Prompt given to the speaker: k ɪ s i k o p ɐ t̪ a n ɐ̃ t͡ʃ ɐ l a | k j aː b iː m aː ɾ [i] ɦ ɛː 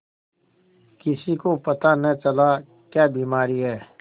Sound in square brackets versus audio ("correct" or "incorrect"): correct